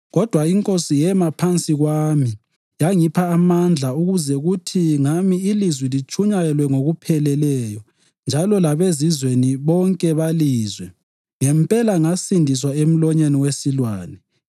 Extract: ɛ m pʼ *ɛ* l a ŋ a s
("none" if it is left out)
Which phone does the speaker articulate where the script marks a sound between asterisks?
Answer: ɛ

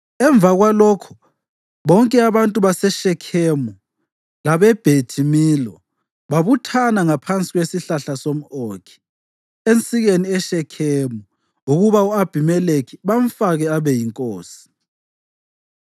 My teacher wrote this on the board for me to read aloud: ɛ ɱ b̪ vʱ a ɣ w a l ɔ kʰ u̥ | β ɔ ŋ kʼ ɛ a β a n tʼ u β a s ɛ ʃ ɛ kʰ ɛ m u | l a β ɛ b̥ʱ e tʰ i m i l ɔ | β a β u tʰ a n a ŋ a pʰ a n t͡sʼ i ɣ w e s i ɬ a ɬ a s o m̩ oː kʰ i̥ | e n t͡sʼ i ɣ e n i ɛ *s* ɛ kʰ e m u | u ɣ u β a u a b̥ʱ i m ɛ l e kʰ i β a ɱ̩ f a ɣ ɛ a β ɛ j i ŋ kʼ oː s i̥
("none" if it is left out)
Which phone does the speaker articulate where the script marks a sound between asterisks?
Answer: ʃ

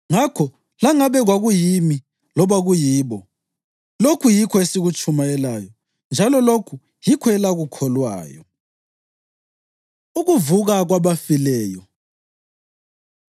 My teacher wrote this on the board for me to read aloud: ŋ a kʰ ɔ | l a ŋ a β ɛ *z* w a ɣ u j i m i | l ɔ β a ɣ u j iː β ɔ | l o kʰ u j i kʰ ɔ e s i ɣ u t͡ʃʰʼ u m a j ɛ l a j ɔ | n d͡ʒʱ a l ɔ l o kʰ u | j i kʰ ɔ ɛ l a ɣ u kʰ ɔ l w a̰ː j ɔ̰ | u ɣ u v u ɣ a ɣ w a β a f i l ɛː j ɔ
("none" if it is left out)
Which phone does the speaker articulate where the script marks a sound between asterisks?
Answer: ɣ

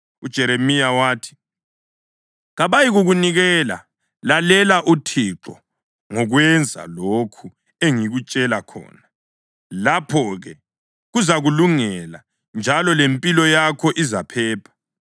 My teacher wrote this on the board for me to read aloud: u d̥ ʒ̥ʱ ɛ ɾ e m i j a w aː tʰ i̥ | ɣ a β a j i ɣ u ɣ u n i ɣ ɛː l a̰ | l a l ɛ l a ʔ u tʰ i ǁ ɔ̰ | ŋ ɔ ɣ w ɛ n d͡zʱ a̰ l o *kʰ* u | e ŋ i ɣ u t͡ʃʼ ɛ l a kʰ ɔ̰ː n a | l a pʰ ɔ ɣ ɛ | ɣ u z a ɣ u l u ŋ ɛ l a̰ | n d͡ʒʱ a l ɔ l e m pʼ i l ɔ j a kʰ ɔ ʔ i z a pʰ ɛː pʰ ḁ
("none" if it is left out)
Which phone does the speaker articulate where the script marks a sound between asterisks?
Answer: kʰ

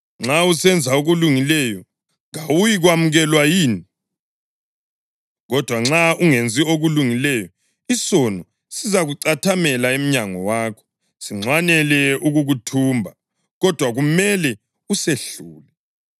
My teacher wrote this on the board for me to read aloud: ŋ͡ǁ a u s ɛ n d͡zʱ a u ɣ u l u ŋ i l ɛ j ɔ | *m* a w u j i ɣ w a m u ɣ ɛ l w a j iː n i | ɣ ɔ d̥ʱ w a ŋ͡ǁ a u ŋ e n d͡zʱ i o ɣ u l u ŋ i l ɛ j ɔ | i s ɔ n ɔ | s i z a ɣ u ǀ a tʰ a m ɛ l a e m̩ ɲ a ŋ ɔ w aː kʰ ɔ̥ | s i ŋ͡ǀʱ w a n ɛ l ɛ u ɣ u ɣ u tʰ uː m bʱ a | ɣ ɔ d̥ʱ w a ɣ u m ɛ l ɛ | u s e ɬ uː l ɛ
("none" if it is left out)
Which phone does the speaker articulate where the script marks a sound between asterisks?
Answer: ŋ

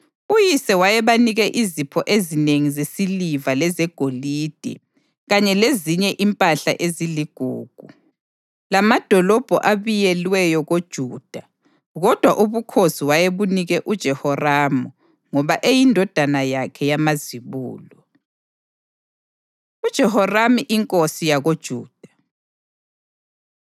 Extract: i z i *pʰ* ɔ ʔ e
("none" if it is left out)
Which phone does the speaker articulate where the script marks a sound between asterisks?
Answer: pʰ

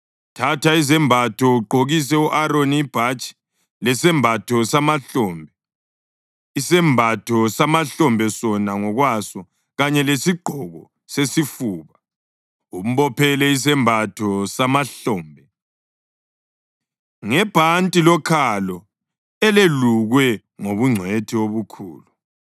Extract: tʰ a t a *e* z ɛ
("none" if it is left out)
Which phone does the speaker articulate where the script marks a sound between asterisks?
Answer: i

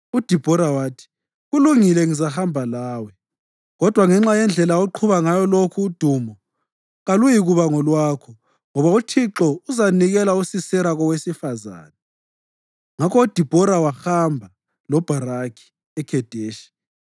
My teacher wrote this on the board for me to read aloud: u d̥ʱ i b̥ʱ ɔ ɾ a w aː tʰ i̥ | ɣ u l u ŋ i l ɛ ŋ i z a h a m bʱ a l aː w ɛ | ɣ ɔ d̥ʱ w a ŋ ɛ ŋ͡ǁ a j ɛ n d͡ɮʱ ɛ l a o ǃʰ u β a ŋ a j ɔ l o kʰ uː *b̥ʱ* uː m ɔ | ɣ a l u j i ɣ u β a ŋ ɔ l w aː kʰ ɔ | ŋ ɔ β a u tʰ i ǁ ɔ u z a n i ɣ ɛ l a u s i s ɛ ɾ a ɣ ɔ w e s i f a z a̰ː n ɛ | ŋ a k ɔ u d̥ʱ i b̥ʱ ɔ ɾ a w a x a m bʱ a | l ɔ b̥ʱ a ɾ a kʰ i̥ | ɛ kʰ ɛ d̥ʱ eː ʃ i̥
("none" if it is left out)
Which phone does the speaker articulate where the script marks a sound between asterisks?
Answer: d̥ʱ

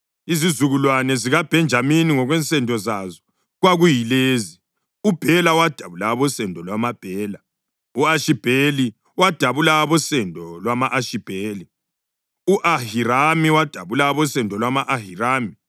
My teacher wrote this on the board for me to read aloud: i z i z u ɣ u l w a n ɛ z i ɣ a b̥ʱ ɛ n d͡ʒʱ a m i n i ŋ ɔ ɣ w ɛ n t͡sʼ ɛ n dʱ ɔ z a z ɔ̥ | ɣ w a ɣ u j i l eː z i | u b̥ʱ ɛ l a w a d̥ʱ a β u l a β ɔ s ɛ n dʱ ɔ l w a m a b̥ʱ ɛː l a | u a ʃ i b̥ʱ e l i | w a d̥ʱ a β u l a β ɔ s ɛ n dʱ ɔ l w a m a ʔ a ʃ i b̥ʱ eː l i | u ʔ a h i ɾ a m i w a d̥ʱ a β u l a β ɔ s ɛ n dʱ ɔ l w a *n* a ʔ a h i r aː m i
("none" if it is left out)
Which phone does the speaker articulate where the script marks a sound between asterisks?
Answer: m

